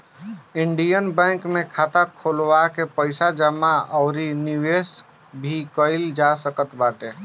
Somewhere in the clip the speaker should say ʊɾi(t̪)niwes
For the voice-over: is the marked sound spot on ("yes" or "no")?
no